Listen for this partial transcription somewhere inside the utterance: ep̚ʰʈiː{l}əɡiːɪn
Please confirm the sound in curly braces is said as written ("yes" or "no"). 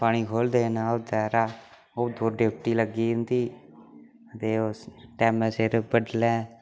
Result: yes